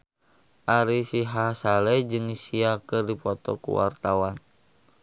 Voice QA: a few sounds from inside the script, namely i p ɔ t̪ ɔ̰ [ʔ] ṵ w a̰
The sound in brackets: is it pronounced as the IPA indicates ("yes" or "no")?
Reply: no